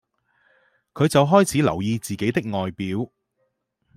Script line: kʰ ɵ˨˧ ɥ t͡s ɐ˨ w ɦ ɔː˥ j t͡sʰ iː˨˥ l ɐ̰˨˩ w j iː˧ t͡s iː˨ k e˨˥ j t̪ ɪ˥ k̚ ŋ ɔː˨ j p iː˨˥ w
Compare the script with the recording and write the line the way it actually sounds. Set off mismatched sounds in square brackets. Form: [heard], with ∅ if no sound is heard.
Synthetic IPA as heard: kʰ ɵ˨˧ ɥ t͡s ɐ˨ w ɦ ɔː˥ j t͡sʰ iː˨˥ l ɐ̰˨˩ w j iː˧ t͡s iː˨ k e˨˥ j t̪ ɪ˥ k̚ ŋ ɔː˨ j p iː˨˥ w